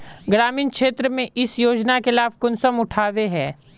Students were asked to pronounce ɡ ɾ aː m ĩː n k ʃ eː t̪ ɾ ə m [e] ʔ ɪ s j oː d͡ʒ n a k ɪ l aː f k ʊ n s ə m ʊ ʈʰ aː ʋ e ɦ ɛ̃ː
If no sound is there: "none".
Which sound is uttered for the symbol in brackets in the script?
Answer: ẽ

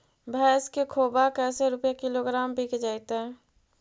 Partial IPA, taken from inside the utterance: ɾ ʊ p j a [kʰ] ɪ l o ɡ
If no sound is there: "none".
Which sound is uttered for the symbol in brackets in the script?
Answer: k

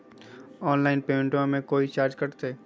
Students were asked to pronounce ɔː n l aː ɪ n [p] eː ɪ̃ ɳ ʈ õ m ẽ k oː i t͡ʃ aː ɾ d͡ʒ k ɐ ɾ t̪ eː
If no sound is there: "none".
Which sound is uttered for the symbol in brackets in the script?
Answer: p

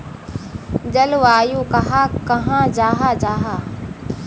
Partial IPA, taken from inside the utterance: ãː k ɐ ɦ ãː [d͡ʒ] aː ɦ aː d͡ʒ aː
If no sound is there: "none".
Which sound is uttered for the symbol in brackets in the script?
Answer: d͡ʒ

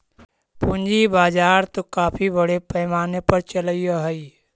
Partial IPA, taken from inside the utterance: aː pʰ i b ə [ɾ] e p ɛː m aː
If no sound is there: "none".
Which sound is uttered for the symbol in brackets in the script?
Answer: ɽ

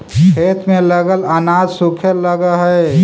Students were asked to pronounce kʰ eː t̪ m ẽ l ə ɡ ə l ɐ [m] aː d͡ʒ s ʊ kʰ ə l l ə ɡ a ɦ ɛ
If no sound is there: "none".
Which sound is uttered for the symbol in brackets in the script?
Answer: n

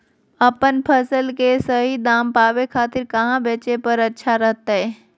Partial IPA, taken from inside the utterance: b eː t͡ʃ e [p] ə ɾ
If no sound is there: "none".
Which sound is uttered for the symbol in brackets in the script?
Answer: p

